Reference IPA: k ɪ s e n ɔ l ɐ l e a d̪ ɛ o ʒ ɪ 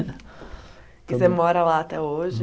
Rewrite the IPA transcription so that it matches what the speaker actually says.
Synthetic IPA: k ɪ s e m ɔ ɾ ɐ l a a t̪ ɛ o ʒ ɪ